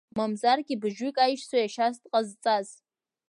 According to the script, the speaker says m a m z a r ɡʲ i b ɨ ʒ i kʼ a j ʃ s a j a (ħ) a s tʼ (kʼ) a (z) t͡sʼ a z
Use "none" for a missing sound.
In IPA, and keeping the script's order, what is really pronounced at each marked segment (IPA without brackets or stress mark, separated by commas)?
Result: ʃ, qʼ, z